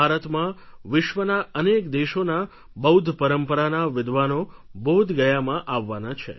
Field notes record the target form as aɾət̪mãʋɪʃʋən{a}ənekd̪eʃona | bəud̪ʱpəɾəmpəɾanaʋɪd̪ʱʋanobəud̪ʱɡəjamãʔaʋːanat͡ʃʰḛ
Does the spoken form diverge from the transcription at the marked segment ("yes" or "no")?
no